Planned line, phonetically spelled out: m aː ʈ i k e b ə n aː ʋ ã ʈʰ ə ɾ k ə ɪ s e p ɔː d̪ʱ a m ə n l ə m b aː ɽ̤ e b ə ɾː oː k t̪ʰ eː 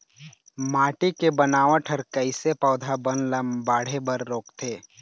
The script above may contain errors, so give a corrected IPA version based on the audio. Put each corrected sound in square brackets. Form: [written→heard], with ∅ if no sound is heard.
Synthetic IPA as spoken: m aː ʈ i k e b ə n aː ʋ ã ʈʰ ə ɾ k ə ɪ s e p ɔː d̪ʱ a [m→b] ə n l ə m b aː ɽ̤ e b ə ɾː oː k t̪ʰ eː